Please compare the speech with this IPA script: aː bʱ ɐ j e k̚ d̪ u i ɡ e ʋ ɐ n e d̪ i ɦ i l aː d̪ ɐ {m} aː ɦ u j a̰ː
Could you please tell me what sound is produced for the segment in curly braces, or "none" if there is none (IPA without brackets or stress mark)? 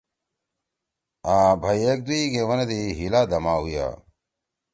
m